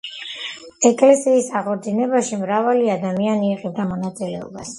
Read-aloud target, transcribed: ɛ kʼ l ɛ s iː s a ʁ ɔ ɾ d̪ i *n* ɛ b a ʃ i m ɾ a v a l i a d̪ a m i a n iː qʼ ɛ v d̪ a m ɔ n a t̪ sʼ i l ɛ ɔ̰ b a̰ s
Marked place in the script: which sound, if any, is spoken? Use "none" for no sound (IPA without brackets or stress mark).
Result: n